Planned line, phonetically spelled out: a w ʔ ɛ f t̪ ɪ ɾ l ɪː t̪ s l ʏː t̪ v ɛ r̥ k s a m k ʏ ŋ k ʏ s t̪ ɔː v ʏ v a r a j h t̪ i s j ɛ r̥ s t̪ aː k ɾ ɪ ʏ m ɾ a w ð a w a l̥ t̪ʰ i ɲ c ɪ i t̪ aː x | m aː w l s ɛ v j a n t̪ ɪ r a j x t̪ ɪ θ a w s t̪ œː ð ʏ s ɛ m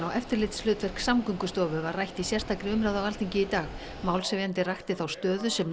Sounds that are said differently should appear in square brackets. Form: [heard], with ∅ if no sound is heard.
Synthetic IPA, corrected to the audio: a w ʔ ɛ f t̪ ɪ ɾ l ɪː t̪ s l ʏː t̪ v ɛ r̥ k s a m k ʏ ŋ k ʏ s t̪ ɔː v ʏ v a r a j h t̪ i s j ɛ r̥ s t̪ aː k ɾ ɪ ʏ m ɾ a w ð a w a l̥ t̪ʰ i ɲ c ɪ i t̪ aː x | m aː w l s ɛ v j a n t̪ ɪ r a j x t̪ ɪ θ a w s t̪ œː ð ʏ s ɛ m

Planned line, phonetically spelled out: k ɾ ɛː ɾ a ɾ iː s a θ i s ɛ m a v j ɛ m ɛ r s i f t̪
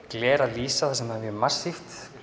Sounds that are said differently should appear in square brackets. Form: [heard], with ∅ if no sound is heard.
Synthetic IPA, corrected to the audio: k [l] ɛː ɾ a [l] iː s a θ [a] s ɛ m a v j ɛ m [a] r s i f t̪

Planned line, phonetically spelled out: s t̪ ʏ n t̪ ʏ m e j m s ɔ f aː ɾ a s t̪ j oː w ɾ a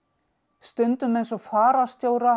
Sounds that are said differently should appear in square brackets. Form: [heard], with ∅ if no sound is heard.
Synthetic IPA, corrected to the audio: s t̪ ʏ n t̪ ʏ m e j [n] s ɔ f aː ɾ a s t̪ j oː w ɾ a

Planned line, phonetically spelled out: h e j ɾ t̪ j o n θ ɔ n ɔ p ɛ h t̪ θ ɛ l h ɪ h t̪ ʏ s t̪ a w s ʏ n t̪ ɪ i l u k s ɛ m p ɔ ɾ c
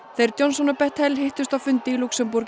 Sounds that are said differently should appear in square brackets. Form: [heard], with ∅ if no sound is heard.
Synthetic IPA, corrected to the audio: [θ] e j ɾ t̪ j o n [s] ɔ n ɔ p ɛ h t̪ [h] ɛ l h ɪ h t̪ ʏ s t̪ a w [f] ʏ n t̪ ɪ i l u k s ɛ m p [u] ɾ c

